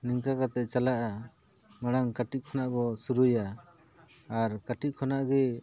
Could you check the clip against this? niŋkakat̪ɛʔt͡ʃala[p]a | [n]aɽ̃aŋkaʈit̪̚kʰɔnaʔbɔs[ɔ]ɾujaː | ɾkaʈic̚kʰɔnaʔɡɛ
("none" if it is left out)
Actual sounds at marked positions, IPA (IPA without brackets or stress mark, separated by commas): ʔ, m, u